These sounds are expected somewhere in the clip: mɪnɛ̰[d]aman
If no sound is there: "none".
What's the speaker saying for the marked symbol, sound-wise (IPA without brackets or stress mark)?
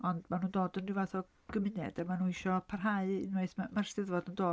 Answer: d